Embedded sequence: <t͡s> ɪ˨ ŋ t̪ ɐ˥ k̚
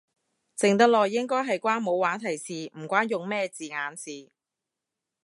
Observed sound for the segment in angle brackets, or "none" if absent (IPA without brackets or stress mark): t͡s